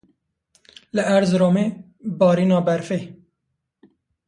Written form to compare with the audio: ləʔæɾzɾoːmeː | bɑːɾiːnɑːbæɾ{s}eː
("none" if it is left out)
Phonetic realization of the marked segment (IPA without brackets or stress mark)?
f